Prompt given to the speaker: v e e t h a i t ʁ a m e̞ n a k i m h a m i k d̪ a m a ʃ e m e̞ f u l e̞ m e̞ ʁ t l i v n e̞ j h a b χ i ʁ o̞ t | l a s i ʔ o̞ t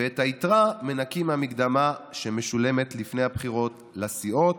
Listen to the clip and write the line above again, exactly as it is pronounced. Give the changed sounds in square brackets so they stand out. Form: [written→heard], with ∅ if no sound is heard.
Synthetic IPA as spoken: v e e t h a i t ʁ a m e̞ n a k i m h a m i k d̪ a m a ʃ e m e̞ [f→ʃ] u l e̞ m e̞ [ʁ→∅] t l i [v→f] n e̞ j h a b χ i ʁ o̞ t | l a s i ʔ o̞ t